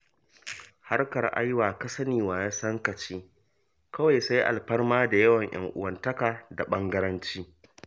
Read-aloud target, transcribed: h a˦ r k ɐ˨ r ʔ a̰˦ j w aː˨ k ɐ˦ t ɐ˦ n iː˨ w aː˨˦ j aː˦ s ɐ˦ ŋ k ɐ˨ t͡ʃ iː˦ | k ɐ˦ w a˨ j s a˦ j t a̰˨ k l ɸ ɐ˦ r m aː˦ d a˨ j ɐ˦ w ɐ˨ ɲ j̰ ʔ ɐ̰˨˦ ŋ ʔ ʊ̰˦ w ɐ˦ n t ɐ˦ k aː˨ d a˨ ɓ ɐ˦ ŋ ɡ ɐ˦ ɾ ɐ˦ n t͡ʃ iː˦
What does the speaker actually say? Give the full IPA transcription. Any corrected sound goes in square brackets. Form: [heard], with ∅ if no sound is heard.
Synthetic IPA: h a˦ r k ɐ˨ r ʔ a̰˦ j w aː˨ k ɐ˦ [s] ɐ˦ n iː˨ w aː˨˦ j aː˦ s ɐ˦ ŋ k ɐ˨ t͡ʃ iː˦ | k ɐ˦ w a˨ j s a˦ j [ʔ] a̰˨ [∅] l ɸ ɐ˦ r m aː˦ d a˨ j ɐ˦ w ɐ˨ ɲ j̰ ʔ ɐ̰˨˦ ŋ ʔ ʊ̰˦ w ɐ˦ n t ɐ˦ k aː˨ d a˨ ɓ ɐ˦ ŋ ɡ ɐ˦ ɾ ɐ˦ n t͡ʃ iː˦